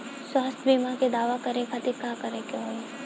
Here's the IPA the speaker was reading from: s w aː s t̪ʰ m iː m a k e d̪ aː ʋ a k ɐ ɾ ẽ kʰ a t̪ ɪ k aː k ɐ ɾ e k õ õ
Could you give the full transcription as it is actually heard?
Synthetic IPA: s w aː s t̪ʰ b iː m a k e d̪ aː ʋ a k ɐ ɾ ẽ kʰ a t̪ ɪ k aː k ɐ ɾ e k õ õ